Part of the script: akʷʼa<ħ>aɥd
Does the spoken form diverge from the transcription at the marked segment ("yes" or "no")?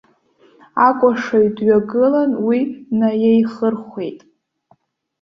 yes